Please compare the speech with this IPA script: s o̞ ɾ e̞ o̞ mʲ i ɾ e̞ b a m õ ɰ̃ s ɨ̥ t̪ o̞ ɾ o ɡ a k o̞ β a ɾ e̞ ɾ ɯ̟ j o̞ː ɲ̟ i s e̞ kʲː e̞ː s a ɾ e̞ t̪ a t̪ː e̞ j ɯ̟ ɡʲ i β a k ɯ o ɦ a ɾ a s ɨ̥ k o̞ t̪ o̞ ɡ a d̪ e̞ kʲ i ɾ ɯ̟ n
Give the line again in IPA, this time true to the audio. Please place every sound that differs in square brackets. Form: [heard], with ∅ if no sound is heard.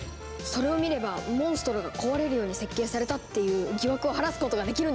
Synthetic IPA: s o̞ ɾ e̞ o̞ mʲ i ɾ e̞ b a m õ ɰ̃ s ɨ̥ t̪ o̞ ɾ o ɡ a k o̞ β a ɾ e̞ ɾ ɯ̟ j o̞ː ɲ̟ i s e̞ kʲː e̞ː s a ɾ e̞ t̪ a t̪ː e̞ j [ɯ̟ː] ɡʲ i β a k ɯ o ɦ a ɾ a s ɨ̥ k o̞ t̪ o̞ ɡ a d̪ e̞ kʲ i ɾ ɯ̟ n